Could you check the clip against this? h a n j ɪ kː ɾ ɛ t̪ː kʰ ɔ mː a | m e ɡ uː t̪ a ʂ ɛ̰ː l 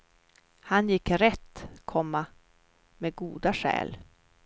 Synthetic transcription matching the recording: h a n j ɪ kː ɾ ɛ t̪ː kʰ ɔ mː a | m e ɡ uː d̪ a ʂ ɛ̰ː l